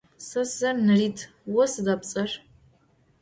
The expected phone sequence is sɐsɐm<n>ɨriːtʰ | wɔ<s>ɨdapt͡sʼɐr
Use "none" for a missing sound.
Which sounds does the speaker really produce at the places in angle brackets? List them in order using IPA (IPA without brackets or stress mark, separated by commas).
n, s